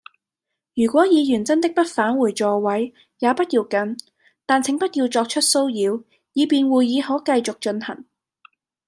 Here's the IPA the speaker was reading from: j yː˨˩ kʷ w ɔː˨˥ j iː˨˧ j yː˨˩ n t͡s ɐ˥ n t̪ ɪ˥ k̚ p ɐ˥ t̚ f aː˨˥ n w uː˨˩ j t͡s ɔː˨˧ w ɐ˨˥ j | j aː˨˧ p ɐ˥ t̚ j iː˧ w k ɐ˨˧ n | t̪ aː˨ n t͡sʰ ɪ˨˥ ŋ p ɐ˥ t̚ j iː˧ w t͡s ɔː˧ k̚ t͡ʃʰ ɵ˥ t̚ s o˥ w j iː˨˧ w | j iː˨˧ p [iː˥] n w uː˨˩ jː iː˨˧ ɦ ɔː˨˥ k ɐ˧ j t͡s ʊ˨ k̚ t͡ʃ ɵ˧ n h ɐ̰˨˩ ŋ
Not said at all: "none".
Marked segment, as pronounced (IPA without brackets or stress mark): iː˨˧